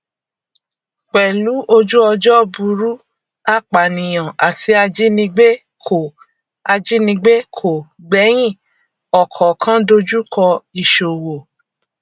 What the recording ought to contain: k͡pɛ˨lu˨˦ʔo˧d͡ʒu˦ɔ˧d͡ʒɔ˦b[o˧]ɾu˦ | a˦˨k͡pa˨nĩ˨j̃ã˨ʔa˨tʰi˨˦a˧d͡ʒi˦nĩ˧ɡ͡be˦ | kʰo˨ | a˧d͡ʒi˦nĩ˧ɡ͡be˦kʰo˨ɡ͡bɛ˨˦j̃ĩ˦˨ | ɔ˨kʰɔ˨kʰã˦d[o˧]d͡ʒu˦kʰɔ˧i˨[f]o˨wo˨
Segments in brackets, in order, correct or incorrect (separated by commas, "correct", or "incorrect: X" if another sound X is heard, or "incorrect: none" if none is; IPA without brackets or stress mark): incorrect: u˧, correct, incorrect: ʃ